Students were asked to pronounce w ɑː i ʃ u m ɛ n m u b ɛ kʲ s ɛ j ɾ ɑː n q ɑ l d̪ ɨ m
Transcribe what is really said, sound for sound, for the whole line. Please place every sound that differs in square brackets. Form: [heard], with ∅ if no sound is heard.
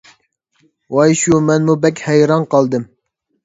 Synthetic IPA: w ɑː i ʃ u m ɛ n m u b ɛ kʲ [h] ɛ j ɾ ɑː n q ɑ l d̪ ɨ m